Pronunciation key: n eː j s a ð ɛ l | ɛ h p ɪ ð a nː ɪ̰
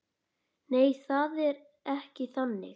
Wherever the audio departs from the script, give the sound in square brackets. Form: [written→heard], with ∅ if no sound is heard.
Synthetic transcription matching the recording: n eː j [s→θ] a ð ɛ [l→ɾ] | ɛ h [p→c] ɪ [ð→θ] a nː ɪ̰